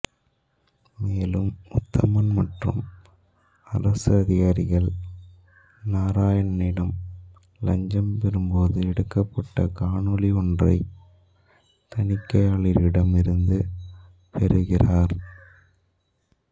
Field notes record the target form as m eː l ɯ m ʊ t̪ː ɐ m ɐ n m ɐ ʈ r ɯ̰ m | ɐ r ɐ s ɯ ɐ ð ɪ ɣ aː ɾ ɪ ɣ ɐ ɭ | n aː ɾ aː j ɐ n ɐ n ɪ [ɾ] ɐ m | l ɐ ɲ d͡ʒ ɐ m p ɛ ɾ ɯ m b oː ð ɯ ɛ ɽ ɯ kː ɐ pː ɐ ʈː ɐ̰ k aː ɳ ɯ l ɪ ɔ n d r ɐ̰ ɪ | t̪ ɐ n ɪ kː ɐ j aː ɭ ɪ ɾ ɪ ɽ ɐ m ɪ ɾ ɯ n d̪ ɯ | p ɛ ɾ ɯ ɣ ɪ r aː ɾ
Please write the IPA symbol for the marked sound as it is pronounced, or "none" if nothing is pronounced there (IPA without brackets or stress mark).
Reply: ɽ